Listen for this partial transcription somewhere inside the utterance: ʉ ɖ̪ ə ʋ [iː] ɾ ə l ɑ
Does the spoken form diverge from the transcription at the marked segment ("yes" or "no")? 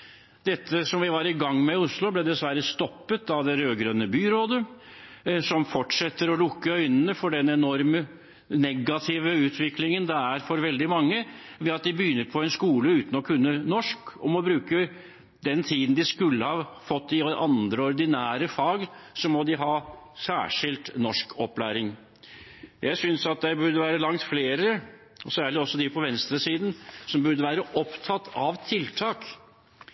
yes